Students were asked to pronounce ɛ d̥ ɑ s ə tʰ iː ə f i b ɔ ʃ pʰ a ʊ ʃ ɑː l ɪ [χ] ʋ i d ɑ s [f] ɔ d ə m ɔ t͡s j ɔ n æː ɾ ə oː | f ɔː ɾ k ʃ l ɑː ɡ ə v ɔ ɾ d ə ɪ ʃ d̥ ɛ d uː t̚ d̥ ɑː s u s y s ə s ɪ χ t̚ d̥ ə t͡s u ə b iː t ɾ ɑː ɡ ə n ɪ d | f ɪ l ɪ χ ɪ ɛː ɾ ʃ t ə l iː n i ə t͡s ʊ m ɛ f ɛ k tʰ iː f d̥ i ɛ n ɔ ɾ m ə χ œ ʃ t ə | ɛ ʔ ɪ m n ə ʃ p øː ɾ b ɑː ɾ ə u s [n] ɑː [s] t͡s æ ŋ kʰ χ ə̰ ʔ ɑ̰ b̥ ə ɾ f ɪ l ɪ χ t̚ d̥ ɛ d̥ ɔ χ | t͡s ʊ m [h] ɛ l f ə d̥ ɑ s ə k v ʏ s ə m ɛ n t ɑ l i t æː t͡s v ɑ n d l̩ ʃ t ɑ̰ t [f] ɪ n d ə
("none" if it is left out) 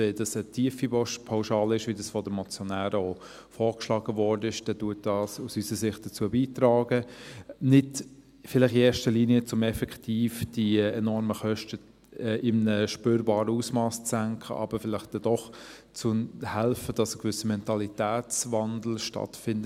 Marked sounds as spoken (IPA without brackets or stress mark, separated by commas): ʃ, f, m, s, h, f